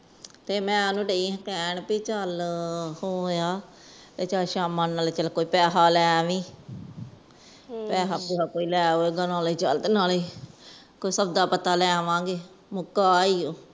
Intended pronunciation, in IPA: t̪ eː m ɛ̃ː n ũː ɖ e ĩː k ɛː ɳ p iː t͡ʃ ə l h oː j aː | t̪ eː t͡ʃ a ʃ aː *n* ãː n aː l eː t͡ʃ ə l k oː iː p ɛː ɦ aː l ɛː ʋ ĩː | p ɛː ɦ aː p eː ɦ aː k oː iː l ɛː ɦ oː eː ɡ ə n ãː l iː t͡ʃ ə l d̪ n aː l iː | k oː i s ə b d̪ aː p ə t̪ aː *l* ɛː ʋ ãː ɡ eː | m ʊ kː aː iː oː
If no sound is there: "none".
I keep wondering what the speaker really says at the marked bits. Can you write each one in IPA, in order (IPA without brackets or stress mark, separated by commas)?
m, l